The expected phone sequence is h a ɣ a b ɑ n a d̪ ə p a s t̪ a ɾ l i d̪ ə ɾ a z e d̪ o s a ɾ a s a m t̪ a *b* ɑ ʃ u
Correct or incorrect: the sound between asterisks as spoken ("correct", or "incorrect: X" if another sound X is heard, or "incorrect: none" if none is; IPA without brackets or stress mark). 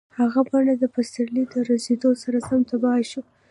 correct